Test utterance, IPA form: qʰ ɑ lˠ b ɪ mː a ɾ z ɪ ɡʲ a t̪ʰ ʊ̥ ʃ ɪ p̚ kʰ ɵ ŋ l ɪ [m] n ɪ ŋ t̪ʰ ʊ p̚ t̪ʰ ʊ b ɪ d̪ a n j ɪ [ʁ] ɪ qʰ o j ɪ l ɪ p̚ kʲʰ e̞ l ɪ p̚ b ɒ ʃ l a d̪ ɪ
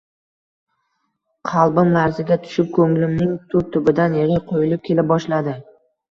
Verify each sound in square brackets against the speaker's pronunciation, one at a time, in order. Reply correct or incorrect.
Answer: correct, correct

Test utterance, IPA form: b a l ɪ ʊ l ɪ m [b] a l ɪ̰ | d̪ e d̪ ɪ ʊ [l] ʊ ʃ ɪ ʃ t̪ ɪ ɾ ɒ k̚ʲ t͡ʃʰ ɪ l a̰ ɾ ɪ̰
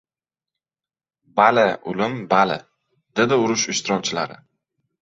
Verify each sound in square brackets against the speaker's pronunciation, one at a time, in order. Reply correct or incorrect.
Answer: correct, incorrect: ɾ

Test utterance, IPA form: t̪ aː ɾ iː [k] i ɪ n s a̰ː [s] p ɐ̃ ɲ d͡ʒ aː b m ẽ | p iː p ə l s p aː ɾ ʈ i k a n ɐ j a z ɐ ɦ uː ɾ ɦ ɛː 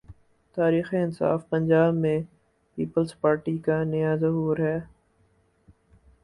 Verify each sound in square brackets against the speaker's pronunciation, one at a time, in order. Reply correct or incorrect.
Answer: incorrect: x, incorrect: f

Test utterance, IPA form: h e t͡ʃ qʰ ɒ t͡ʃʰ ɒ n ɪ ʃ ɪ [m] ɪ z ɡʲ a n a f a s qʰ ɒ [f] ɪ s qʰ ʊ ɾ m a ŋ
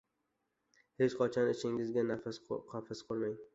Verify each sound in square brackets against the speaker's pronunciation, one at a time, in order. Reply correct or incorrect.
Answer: incorrect: ŋ, correct

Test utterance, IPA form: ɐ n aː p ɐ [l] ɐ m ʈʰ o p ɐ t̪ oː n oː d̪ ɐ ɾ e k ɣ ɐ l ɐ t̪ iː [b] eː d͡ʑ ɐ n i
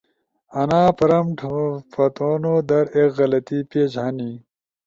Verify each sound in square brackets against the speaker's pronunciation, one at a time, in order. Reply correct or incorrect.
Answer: incorrect: ɾ, incorrect: p

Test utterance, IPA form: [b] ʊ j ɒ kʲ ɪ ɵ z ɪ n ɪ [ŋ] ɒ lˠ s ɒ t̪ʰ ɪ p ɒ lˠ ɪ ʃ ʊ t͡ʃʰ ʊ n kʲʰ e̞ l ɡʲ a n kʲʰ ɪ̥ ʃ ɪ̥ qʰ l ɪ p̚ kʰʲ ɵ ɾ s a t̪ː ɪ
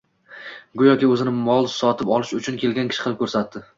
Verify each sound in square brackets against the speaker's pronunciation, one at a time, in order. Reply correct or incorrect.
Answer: incorrect: ɡ, incorrect: m

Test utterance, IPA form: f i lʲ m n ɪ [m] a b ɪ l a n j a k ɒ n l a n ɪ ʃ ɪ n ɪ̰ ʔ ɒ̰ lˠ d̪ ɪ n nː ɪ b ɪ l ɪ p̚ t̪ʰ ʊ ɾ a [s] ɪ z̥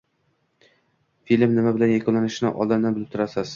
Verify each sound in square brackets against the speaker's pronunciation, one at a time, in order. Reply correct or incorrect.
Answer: correct, correct

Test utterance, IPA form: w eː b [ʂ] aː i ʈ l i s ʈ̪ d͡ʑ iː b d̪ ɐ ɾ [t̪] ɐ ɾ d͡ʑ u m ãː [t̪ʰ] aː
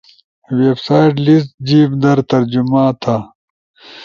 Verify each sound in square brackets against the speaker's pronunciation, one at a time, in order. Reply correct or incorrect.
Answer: incorrect: s, correct, correct

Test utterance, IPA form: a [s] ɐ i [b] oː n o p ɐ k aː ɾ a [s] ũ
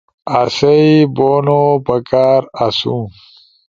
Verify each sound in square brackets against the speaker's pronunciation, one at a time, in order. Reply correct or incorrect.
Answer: correct, correct, correct

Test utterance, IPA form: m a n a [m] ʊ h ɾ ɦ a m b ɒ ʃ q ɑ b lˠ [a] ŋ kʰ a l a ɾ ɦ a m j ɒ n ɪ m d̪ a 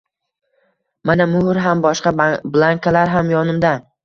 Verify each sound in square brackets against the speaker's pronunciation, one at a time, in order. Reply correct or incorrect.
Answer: correct, correct

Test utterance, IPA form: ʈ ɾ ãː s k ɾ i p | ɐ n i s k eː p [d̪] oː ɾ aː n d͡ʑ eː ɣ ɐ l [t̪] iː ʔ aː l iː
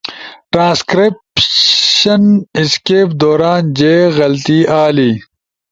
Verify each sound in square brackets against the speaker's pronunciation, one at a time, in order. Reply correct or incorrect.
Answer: correct, correct

